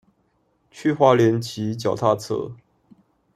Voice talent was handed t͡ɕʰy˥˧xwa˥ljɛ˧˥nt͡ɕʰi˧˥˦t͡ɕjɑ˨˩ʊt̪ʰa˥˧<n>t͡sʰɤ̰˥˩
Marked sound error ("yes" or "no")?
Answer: yes